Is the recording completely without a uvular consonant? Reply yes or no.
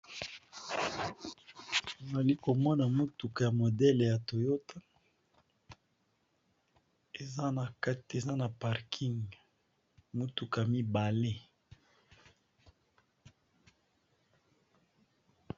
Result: no